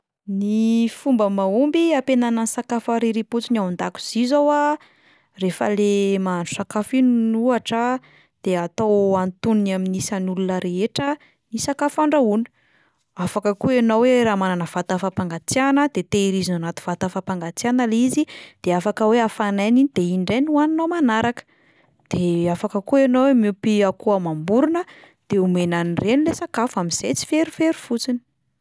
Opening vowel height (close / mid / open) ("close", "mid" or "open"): close